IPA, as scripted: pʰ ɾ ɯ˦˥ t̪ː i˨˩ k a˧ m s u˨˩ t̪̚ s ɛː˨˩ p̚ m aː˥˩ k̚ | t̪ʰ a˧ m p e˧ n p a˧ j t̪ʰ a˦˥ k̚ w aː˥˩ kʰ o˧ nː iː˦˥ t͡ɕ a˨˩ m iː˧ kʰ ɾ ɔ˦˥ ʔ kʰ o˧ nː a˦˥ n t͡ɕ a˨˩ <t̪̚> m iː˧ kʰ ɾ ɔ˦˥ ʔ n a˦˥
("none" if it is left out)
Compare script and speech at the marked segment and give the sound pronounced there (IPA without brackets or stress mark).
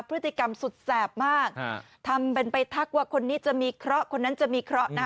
none